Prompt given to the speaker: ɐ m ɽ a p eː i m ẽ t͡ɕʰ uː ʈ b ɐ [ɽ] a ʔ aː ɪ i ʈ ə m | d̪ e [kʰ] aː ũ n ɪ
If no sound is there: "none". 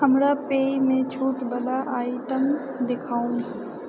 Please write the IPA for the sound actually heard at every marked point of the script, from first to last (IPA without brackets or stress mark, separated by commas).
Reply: l, kʰ